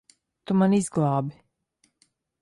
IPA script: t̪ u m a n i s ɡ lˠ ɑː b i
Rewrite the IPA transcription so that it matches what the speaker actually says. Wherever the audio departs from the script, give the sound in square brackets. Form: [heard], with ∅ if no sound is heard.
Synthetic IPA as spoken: t̪ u m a n i [z] ɡ lˠ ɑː b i